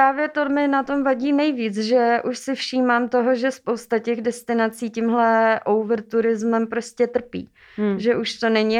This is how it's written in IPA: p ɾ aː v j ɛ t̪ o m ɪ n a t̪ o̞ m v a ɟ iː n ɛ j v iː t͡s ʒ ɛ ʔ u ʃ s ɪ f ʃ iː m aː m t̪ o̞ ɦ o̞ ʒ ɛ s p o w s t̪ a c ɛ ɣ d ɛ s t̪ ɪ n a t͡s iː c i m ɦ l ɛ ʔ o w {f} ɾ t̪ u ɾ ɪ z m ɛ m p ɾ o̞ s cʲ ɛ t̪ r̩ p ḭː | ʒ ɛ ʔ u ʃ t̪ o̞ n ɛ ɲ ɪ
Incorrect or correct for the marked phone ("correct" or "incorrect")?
incorrect